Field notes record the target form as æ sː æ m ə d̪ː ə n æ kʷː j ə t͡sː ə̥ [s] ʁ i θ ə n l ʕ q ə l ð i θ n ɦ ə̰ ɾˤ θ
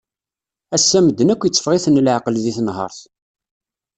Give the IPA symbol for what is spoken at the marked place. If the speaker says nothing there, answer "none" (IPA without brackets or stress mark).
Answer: f